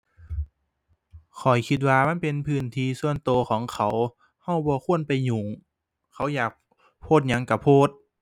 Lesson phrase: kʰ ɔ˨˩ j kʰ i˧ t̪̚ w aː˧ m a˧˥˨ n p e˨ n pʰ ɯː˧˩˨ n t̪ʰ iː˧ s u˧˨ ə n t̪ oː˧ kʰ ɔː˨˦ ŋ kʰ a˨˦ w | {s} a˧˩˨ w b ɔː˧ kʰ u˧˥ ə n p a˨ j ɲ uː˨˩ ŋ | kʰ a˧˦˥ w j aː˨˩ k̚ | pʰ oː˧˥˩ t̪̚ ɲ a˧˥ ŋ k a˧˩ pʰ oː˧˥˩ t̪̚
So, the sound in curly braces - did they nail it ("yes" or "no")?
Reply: no